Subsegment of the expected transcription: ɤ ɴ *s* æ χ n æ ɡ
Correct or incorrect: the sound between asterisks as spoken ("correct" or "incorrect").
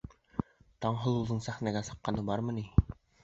correct